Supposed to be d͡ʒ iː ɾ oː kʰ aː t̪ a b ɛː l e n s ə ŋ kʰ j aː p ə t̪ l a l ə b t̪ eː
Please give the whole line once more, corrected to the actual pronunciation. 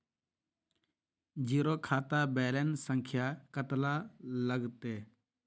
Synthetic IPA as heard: d͡ʒ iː ɾ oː kʰ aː t̪ a b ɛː l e n s ə ŋ kʰ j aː k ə t̪ l a l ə ɡ t̪ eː